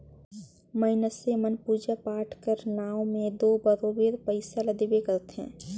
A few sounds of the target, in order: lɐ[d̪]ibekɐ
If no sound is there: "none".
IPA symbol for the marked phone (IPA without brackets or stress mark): d̪